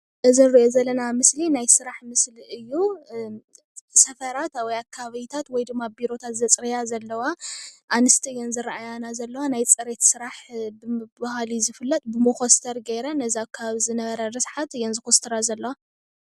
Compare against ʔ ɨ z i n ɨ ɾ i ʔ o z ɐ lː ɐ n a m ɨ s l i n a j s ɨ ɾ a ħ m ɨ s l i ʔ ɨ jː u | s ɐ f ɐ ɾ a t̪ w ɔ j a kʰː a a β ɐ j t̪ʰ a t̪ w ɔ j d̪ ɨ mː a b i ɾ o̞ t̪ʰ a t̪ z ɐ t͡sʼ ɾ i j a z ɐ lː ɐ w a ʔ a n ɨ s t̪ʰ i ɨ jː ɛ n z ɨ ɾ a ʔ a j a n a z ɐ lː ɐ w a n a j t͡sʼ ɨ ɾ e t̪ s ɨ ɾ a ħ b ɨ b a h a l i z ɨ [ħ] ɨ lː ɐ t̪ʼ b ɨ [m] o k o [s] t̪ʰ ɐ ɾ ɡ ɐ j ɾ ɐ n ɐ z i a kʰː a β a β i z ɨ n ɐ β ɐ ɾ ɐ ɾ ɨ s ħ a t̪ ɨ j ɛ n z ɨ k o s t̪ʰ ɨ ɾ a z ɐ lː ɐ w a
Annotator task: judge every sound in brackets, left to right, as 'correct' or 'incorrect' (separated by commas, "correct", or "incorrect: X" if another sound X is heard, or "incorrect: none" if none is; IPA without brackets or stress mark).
incorrect: f, correct, correct